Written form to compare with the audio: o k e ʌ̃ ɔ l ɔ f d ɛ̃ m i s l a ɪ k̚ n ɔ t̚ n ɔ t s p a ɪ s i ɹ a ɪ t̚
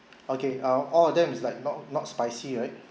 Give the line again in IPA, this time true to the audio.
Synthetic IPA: o k e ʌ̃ ɔ l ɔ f d ɛ̃ m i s l a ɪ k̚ n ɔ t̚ n ɔ t s p a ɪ s i ɹ a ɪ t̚

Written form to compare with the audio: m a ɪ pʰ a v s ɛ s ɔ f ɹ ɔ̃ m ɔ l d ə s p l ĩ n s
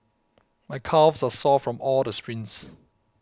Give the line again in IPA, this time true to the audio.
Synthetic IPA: m a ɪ kʰ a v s a s ɔ f ɹ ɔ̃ m ɔ l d ə s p ɹ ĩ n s

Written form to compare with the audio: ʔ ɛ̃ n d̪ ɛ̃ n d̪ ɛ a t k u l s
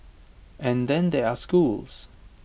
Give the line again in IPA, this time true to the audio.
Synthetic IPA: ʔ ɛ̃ n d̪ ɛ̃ n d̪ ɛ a s k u l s

